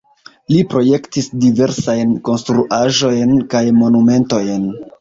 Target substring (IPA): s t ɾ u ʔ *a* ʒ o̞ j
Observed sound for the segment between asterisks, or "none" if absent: a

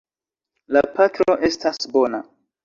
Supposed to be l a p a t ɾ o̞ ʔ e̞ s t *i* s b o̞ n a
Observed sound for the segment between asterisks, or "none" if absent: a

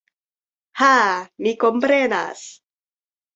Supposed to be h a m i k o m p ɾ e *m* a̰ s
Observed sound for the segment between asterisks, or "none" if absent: n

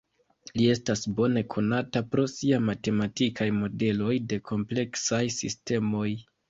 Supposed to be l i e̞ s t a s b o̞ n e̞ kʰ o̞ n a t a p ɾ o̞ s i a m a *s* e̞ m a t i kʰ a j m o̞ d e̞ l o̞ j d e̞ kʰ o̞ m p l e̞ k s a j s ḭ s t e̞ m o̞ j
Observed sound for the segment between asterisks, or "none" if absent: t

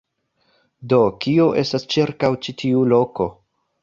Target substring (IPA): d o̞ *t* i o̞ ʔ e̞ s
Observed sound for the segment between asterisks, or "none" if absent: k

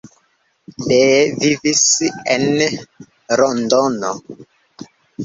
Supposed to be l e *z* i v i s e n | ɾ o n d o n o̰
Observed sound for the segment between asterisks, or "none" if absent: v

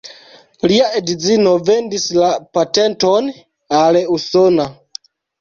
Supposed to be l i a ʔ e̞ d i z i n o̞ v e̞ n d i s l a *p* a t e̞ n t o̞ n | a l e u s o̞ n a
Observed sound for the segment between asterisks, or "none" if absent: p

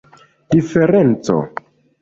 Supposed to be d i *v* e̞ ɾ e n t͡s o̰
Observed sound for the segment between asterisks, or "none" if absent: f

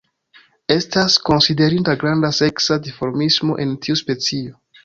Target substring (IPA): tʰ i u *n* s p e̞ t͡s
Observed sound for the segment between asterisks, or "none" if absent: none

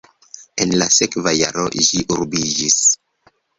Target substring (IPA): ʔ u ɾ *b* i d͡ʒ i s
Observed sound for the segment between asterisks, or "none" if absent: b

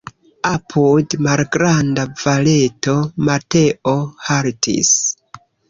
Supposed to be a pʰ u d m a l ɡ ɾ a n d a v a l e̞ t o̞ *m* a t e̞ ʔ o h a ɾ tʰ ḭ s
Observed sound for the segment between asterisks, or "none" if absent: m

